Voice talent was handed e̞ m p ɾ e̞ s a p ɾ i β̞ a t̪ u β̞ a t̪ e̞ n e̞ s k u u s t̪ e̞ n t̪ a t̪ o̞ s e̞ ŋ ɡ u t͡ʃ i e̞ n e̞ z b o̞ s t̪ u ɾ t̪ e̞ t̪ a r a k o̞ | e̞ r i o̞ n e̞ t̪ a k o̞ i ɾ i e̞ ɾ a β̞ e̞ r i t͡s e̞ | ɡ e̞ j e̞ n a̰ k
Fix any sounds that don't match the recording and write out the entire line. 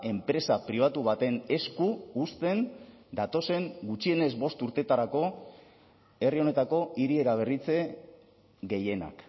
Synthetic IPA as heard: e̞ m p ɾ e̞ s a p ɾ i β̞ a t̪ u β̞ a t̪ e̞ n e̞ s k u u s t̪ e̞ n d̪ a t̪ o̞ s e̞ ŋ ɡ u t͡ʃ i e̞ n e̞ z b o̞ s t̪ u ɾ t̪ e̞ t̪ a ɾ a k o̞ | e̞ r i o̞ n e̞ t̪ a k o̞ i ɾ i e̞ ɾ a β̞ e̞ r i t͡s e̞ | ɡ e̞ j e̞ n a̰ k